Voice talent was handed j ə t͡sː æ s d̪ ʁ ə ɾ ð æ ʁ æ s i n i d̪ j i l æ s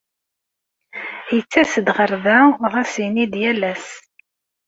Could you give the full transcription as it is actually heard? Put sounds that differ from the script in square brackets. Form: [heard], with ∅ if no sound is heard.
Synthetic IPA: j ə t͡sː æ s d̪ ʁ ə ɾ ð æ ʁ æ s i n i d̪ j [æ] l æ s